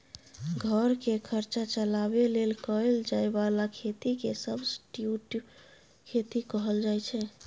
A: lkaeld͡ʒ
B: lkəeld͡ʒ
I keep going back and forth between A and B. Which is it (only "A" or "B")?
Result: B